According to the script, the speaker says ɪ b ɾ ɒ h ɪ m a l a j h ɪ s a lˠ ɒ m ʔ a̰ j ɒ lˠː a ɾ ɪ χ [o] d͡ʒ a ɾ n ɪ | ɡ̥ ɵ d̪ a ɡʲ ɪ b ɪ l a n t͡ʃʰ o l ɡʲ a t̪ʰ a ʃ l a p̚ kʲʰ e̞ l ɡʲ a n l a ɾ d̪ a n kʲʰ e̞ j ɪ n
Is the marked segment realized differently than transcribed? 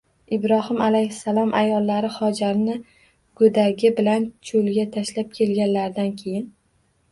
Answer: yes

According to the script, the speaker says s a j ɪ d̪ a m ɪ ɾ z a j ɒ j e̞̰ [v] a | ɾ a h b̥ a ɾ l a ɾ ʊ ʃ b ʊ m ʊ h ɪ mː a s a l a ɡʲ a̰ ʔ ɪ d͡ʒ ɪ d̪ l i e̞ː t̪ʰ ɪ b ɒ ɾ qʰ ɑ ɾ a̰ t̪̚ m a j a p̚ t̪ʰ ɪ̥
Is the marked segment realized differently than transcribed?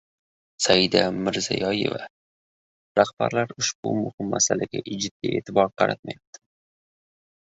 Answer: no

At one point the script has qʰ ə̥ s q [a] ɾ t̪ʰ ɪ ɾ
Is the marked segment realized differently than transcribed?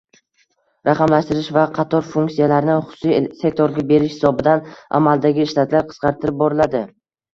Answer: yes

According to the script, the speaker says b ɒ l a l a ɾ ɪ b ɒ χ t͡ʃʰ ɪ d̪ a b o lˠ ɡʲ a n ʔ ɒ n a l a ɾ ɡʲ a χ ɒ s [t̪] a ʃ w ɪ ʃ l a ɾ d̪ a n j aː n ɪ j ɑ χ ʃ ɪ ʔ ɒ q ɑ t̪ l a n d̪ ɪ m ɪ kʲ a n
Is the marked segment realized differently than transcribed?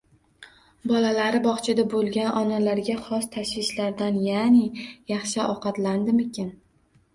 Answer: yes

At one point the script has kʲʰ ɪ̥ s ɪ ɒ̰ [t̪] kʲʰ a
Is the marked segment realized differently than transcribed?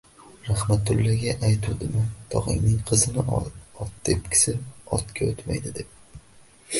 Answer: no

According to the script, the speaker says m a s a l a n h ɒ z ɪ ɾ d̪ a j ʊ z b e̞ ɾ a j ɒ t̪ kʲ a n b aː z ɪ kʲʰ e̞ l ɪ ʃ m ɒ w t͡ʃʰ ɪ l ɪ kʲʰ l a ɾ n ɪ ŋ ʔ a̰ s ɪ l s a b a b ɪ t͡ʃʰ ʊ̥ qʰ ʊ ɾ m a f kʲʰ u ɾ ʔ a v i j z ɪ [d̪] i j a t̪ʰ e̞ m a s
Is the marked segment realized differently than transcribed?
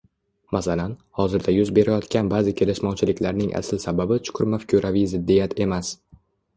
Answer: yes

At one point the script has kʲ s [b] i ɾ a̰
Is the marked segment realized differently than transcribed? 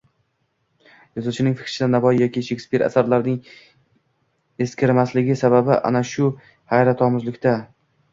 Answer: yes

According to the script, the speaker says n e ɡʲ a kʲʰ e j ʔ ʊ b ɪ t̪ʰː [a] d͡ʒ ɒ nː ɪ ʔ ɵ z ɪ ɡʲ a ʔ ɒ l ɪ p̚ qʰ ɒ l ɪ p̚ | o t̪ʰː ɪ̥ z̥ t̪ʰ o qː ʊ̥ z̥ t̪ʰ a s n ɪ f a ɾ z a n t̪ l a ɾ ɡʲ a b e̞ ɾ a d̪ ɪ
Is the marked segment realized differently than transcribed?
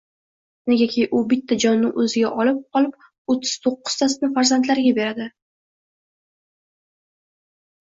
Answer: no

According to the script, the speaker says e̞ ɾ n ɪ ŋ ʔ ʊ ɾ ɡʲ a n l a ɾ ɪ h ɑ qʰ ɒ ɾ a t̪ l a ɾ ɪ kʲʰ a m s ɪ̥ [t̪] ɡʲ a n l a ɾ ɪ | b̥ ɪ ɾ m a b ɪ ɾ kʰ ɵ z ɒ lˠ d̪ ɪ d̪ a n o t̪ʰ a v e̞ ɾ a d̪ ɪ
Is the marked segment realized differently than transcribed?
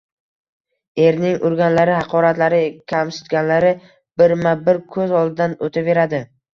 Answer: no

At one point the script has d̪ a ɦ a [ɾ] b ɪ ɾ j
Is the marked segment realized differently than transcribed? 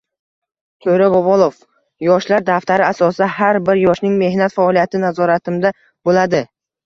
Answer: no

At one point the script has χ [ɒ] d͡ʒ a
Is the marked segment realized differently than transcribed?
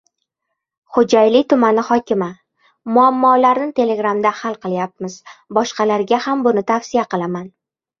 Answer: yes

